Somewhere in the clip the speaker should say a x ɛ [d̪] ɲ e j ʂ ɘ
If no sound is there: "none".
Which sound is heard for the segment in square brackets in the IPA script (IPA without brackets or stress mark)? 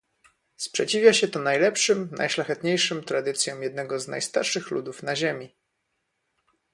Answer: t̪